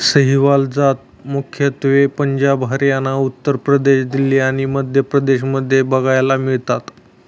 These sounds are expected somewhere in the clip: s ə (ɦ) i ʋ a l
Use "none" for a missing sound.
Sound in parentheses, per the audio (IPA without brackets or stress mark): ɦ